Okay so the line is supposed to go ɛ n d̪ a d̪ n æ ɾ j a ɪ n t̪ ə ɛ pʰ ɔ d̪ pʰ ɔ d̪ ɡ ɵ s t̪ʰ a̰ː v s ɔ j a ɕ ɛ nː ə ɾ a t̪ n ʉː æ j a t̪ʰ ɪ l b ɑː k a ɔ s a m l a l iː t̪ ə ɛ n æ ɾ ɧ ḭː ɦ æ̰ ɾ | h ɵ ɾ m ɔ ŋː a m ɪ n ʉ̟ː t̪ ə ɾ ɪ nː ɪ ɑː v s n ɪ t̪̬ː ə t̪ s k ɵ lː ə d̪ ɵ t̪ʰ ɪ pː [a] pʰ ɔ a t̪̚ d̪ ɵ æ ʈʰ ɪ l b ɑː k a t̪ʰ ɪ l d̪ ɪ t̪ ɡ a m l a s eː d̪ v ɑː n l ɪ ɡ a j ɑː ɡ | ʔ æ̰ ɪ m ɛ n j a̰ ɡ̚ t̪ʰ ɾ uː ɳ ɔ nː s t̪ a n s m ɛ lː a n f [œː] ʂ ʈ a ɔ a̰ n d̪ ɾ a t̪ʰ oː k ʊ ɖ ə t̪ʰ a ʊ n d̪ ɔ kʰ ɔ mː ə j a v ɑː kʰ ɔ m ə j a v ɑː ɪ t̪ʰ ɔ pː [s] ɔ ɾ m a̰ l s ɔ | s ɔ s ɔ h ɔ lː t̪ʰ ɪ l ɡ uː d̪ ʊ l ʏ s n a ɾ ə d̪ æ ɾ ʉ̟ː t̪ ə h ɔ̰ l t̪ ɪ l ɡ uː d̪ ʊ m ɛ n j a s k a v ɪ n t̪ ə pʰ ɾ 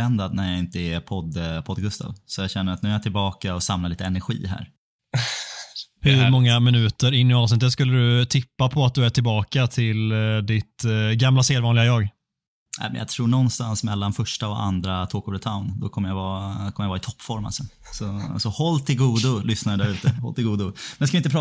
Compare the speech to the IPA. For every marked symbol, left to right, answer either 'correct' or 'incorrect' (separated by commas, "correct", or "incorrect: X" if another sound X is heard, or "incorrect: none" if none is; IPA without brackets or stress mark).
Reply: correct, incorrect: œ, incorrect: f